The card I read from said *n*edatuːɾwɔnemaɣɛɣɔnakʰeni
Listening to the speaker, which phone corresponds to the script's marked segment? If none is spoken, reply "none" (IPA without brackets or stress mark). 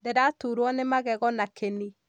d